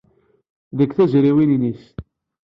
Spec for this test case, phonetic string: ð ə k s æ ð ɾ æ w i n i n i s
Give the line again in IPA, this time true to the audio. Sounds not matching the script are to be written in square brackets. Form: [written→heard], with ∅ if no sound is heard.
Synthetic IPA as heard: ð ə k [s→θ] æ [ð→z] ɾ [æ→i] w i n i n i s

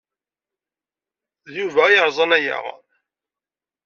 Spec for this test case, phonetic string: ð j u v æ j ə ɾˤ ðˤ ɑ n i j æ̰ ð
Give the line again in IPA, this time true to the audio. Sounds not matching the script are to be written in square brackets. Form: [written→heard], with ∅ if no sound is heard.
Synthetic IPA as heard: ð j u v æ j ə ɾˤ [ðˤ→zˤ] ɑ n [i→æ] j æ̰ [ð→ʁ]

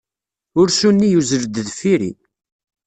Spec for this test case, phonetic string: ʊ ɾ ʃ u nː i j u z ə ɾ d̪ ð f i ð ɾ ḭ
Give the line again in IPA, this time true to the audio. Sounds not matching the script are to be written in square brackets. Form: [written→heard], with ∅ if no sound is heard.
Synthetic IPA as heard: ʊ ɾ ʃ u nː i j u z ə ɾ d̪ ð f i [ð→∅] ɾ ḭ

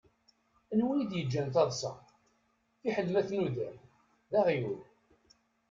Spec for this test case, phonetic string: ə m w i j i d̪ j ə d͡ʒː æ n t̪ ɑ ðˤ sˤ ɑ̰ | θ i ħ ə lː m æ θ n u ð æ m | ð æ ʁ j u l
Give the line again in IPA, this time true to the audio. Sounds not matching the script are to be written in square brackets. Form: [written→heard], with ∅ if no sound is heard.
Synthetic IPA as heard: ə [m→n] w i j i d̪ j ə d͡ʒː æ n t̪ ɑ ðˤ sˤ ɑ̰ | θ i ħ ə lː m æ θ n u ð æ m | ð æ ʁ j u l

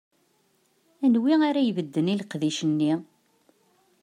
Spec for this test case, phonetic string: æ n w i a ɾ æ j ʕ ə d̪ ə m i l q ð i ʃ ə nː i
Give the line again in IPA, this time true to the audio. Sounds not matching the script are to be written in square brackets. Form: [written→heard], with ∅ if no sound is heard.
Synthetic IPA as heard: æ n w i a ɾ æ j [ʕ→v] ə [d̪→d̪ː] ə [m→n] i l q ð i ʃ ə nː i

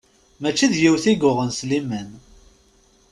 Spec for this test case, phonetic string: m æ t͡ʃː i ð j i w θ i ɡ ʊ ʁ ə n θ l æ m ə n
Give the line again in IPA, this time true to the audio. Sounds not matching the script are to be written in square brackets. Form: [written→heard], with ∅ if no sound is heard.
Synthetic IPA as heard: m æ t͡ʃː i ð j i w θ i ɡ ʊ ʁ ə n [θ→s] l [æ→i] m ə n

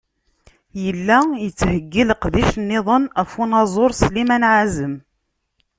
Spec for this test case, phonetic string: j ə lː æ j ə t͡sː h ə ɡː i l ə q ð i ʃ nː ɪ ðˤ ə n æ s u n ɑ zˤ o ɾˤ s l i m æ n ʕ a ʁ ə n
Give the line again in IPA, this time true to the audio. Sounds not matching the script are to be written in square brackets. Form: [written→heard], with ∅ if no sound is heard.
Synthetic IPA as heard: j ə lː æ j ə t͡sː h ə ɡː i l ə q ð i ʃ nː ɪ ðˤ ə n æ [s→f] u n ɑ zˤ o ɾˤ s l i m æ n ʕ a [ʁ→z] ə [n→m]

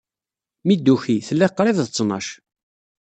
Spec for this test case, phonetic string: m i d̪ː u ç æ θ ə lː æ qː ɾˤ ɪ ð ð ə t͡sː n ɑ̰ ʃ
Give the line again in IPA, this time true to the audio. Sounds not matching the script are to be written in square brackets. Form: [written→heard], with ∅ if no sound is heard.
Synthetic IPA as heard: m i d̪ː u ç [æ→i] θ ə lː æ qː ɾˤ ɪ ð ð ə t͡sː n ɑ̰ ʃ

